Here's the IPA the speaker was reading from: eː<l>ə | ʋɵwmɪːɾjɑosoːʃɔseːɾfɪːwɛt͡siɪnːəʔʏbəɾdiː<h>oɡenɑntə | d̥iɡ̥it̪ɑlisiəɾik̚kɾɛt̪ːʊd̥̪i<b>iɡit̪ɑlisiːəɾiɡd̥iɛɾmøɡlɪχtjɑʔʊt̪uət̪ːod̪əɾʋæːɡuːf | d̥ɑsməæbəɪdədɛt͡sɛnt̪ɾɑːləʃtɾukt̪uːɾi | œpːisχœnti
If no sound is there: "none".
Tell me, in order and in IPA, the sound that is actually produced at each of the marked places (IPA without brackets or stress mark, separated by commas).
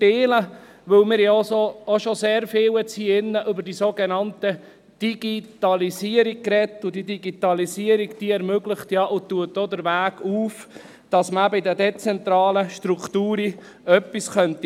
l, s, d